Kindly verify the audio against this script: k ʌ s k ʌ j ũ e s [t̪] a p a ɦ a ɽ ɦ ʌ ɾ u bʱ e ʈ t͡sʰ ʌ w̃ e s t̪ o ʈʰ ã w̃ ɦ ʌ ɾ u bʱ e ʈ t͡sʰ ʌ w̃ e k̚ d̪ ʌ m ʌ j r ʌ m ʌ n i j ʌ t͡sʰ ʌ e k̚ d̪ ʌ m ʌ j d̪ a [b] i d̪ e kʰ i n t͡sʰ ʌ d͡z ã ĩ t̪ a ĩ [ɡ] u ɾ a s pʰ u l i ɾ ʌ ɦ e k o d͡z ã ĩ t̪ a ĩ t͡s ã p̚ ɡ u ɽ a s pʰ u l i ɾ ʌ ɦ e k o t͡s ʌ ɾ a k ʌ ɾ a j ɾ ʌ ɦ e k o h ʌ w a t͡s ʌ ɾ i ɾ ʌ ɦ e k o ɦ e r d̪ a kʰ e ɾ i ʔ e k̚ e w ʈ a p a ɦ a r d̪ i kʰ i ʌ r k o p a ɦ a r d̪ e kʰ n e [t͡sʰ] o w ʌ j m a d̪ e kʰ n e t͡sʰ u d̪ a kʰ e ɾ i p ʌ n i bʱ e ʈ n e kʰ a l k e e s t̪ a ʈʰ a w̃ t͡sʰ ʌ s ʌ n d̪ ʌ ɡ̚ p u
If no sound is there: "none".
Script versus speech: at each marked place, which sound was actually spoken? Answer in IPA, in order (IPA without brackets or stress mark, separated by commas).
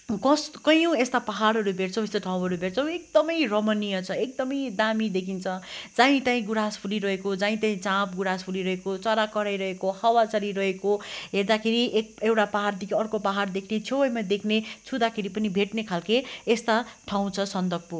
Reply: t̪, m, ɡ, t͡sʰ